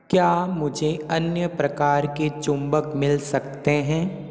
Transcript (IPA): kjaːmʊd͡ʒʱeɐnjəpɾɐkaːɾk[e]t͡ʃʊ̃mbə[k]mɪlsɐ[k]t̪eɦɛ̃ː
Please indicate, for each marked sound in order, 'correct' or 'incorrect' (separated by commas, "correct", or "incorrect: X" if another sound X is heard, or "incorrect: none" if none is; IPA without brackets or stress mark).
correct, correct, correct